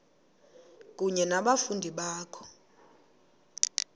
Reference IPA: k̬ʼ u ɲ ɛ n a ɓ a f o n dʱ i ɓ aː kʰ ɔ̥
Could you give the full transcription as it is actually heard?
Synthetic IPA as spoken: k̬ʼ u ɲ ɛ n a ɓ a f u n dʱ i ɓ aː kʰ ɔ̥